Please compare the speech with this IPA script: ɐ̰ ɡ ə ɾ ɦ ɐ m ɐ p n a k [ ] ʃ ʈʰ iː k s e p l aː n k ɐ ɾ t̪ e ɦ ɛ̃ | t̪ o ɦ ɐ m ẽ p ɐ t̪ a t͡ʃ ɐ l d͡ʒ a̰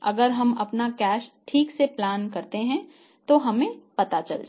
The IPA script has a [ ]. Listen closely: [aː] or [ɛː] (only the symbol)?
ɛː